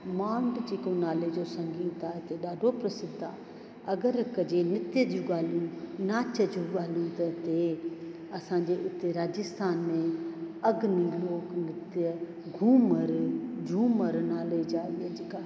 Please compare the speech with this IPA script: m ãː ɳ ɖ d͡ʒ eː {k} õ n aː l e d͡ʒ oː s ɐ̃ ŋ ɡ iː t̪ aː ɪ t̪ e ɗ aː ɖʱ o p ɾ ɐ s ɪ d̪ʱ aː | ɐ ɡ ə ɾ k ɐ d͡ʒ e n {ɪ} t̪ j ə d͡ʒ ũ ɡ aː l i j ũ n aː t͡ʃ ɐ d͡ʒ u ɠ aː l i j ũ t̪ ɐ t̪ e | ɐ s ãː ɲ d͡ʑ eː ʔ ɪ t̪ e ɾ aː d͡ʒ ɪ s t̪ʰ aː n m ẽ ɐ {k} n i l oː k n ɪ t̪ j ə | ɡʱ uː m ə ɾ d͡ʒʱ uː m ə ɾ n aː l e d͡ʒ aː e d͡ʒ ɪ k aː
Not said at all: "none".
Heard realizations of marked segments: k, ɪ, ɡ

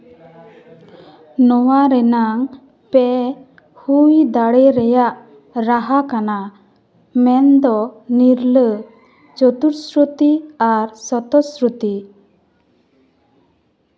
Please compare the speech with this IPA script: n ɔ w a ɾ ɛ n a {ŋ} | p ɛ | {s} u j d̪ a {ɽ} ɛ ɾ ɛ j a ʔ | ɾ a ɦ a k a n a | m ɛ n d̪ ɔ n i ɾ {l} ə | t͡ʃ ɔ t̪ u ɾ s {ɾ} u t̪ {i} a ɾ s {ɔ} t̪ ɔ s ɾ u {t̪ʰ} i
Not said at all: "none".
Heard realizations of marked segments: ŋ, h, ɽ, l, ɾ, i, ɔ, t̪

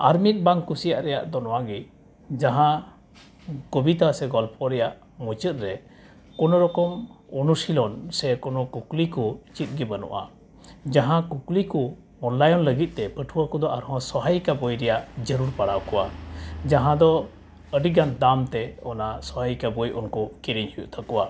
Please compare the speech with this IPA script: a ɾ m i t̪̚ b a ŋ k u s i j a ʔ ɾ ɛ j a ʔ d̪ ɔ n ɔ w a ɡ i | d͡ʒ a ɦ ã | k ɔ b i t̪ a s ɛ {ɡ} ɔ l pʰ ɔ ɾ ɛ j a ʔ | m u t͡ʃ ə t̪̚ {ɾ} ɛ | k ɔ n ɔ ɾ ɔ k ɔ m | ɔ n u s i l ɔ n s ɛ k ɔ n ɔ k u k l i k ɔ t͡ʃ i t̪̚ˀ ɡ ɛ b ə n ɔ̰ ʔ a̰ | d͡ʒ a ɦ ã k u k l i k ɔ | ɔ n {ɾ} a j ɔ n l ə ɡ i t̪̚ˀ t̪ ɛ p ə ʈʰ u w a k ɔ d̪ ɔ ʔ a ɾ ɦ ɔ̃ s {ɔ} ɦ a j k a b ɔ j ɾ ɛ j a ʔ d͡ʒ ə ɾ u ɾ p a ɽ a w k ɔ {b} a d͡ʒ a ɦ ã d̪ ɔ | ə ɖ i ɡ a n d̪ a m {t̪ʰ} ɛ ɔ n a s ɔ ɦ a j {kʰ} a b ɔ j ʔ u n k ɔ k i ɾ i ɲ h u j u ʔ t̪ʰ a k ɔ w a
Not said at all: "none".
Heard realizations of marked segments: ɡ, ɾ, l, ɔ, w, t̪, k

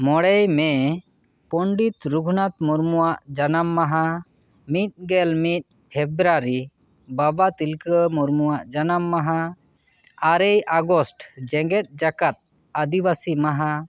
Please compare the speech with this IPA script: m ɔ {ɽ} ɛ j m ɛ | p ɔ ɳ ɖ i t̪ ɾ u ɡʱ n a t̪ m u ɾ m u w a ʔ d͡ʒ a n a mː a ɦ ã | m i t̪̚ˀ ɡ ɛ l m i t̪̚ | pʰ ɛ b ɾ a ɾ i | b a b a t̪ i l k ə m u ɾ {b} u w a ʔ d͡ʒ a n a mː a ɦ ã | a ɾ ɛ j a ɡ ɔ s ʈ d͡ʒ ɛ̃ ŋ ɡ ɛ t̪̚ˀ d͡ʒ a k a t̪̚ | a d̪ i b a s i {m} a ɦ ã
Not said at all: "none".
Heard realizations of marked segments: ɽ, m, m

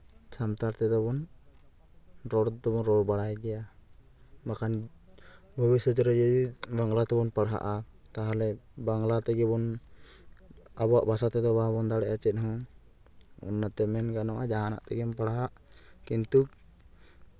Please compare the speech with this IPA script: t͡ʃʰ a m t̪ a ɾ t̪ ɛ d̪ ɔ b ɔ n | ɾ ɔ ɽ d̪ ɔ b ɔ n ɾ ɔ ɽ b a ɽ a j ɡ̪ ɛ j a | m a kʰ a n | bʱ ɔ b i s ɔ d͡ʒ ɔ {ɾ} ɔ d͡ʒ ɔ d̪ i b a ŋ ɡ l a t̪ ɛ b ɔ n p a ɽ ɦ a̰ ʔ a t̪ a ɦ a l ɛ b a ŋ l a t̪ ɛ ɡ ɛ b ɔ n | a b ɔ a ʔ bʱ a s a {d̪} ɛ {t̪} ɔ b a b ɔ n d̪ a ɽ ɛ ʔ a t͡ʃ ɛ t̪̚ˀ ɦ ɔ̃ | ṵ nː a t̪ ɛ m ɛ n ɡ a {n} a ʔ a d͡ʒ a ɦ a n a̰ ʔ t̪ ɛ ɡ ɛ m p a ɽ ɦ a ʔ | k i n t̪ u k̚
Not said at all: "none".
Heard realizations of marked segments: ɾ, t̪, d̪, n

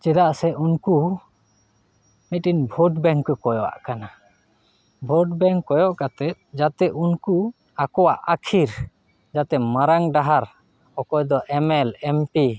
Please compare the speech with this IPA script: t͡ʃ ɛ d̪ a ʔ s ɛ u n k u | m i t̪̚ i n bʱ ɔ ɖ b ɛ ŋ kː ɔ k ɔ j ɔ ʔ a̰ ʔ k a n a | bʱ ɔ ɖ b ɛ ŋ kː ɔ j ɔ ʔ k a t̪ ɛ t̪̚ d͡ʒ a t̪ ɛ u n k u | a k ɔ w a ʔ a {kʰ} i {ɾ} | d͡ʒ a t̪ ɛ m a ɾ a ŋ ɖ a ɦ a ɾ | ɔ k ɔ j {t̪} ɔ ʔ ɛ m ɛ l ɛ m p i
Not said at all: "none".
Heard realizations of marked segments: kʰ, ɾ, d̪

